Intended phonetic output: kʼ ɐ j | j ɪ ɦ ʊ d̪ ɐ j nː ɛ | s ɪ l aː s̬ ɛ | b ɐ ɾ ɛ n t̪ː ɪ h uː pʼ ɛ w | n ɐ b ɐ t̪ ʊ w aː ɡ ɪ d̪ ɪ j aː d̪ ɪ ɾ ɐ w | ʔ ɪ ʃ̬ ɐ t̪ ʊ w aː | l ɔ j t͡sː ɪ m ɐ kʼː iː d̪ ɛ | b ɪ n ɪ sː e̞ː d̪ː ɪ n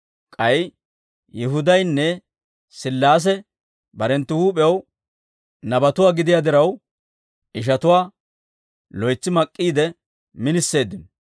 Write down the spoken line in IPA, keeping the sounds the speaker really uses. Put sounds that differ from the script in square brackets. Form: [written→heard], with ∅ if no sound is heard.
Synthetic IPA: kʼ ɐ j | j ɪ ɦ ʊ d̪ ɐ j nː ɛ | s ɪ [l→lː] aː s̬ ɛ | b ɐ ɾ ɛ n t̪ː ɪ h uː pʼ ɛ w | n ɐ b ɐ t̪ ʊ w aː ɡ ɪ d̪ ɪ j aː d̪ ɪ ɾ ɐ w | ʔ ɪ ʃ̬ ɐ t̪ ʊ w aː | l ɔ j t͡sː ɪ m ɐ kʼː iː d̪ ɛ | [b→m] ɪ n ɪ sː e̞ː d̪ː ɪ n